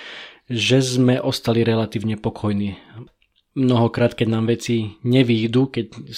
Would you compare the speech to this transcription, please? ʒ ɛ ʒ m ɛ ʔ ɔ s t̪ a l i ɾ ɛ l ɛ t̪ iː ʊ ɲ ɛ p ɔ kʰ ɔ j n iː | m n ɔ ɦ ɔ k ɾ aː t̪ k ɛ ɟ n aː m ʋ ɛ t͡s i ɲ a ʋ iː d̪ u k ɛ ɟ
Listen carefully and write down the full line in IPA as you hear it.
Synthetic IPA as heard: ʒ ɛ z m ɛ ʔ ɔ s t̪ a l i ɾ ɛ l a t̪ iː ʊ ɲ ɛ p ɔ kʰ ɔ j n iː | m n ɔ ɦ ɔ k ɾ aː t̪ k ɛ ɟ n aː m ʋ ɛ t͡s i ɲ ɛ ʋ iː d̪ u k ɛ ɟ